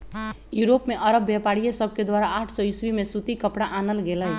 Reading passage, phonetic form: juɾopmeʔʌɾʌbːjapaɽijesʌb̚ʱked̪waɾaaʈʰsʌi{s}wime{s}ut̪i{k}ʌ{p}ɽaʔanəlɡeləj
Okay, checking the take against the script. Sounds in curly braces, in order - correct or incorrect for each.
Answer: correct, correct, correct, correct

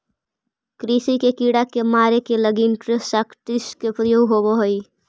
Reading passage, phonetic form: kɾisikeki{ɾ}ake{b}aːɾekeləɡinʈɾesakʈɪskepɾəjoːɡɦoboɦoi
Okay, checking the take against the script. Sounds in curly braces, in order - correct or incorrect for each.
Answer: incorrect: ɽ, incorrect: m

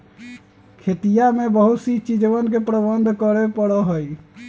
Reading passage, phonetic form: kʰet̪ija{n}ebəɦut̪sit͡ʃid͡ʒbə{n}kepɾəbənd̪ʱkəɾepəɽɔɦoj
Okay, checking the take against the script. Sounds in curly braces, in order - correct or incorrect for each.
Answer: incorrect: m, correct

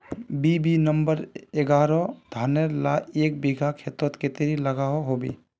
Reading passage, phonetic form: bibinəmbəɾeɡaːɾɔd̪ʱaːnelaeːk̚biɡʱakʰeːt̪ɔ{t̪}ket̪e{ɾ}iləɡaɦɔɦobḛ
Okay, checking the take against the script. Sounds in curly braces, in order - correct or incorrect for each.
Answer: correct, correct

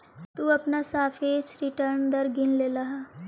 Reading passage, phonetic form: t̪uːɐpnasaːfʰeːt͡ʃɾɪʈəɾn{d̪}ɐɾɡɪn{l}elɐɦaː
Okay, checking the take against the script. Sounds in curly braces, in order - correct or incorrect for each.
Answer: correct, correct

